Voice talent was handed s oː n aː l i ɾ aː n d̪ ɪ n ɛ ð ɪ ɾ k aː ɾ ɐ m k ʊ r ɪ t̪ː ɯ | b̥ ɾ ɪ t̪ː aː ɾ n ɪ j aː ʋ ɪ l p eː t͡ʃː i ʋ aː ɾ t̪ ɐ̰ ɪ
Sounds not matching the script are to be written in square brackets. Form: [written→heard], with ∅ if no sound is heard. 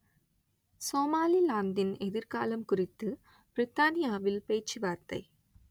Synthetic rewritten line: s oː [n→m] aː l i [ɾ→l] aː n d̪ ɪ n ɛ ð ɪ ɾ k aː [ɾ→l] ɐ m k ʊ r ɪ t̪ː ɯ | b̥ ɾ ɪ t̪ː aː [ɾ→∅] n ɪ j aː ʋ ɪ l p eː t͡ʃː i ʋ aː ɾ t̪ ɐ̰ ɪ